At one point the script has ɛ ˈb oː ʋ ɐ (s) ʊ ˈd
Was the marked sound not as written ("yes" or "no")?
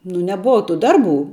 yes